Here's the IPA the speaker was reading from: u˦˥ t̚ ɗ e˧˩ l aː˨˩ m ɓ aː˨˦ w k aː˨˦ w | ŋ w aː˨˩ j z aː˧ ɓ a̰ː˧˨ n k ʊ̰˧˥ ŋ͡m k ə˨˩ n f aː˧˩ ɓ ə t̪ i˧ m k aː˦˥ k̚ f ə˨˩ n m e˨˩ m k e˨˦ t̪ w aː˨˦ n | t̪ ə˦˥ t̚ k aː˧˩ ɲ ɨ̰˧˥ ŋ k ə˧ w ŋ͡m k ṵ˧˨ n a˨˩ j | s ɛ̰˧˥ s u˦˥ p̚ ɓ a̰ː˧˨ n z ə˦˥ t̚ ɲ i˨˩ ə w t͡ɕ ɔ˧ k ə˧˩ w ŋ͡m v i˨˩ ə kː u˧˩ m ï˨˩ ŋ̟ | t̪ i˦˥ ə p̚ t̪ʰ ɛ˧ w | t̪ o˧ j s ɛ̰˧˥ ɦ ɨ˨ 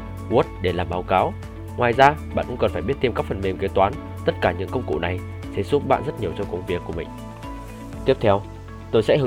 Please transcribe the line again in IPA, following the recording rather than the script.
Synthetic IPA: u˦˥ t̚ ɗ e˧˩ l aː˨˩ m ɓ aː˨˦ w k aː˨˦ w | ŋ w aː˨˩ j z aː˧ ɓ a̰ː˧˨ n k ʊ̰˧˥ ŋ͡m k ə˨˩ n f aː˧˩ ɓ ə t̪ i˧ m k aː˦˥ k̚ f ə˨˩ n m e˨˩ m k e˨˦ t̪ w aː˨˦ n | t̪ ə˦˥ t̚ k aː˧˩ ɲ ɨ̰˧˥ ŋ k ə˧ w ŋ͡m k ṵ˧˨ n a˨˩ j | s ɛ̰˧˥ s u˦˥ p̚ ɓ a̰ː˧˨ n z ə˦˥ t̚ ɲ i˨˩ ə w t͡ɕ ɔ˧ k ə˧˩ w ŋ͡m v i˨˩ ə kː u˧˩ m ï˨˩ ŋ̟ | t̪ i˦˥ ə p̚ t̪ʰ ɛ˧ w | t̪ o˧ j s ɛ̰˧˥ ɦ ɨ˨